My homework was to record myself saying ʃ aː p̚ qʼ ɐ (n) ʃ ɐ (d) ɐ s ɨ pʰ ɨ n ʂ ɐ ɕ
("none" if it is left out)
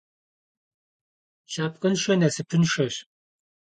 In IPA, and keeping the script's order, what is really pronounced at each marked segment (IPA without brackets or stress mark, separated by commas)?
n, n